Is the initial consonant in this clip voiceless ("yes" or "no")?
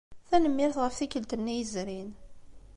yes